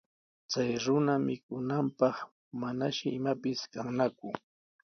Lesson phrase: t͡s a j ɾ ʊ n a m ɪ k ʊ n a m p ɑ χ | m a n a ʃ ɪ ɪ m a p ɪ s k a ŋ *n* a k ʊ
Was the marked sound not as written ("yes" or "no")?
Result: no